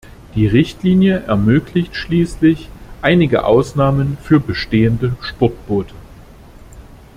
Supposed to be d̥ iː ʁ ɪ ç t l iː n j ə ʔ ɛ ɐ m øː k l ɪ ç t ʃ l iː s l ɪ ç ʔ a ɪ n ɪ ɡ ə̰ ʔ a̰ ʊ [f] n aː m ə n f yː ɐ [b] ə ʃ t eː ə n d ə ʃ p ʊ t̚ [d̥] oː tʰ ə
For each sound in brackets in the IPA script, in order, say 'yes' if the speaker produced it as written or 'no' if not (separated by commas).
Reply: no, yes, no